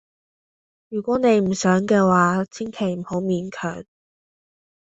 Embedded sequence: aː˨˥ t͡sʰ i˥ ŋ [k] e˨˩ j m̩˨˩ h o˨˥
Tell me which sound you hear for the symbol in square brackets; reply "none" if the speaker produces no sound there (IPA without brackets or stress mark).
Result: kʰ